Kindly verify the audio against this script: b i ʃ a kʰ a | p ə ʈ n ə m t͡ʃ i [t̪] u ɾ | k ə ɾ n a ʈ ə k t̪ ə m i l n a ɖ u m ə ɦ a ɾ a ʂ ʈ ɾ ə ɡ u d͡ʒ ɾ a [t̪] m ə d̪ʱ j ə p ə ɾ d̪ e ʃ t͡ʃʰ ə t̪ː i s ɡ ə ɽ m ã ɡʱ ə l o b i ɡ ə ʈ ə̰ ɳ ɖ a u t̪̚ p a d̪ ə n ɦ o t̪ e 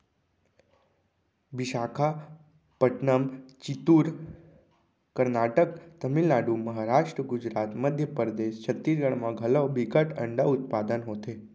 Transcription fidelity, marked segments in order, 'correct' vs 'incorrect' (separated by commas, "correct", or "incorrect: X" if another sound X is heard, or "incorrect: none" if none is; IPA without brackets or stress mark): correct, correct